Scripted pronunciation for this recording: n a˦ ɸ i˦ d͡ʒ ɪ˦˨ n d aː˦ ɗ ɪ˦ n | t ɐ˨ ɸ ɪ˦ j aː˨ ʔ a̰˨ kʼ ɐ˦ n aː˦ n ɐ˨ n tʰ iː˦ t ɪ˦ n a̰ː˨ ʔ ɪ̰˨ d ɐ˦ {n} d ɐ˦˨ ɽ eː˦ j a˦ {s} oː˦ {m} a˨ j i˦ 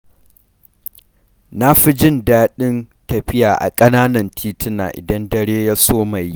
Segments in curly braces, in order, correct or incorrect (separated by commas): correct, correct, correct